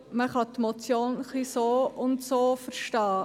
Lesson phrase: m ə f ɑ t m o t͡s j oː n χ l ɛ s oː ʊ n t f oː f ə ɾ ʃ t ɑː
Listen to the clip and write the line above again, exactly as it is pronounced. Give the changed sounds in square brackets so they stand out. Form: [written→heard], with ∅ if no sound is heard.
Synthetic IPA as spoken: m ə [f→χ] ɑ t m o t͡s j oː n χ l [ɛ→i] s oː ʊ n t [f→s] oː f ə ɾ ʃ t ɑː